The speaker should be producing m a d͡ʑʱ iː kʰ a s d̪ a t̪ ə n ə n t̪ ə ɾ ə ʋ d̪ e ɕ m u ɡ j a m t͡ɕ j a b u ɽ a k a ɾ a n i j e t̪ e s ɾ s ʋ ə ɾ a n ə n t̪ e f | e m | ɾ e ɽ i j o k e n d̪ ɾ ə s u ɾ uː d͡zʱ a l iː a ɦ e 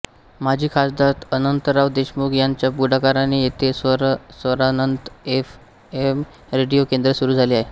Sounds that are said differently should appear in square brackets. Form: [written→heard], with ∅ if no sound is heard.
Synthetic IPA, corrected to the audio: m a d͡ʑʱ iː kʰ a s d̪ a t̪ ə n ə n t̪ ə ɾ [ə→a] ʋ d̪ e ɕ m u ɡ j a [m→ɲ] t͡ɕ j a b u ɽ a k a ɾ a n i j e t̪ e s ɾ s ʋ ə ɾ a n ə n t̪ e f | e m | ɾ e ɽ i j o k e n d̪ ɾ ə s u ɾ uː d͡zʱ a l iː a ɦ e

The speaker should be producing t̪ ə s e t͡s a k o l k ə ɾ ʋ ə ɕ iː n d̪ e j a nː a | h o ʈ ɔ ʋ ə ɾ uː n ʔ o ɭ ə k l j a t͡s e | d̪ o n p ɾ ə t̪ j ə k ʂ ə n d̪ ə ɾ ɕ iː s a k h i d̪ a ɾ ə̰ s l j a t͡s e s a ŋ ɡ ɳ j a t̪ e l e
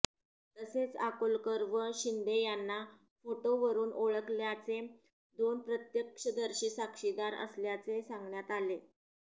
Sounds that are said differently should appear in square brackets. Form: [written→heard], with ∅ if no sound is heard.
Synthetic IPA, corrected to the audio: t̪ ə s e t͡s a k o l k ə ɾ ʋ ə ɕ [iː→i] n d̪ e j a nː a | [h→f] o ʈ [ɔ→o] ʋ ə ɾ uː n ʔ o ɭ ə k l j a t͡s e | d̪ o n p ɾ ə t̪ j ə k ʂ ə [n→∅] d̪ ə ɾ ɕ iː s a k [h→ʂ] i d̪ a ɾ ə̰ s l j a t͡s e s a ŋ ɡ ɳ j a t̪ [e→a] l e

